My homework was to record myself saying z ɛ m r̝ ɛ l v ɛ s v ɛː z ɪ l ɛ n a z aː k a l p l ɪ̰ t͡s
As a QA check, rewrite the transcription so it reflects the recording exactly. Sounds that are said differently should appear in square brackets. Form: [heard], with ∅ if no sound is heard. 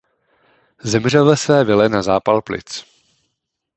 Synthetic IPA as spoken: z ɛ m r̝ ɛ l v ɛ s v ɛː [v] ɪ l ɛ n a z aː [p] a l p l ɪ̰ t͡s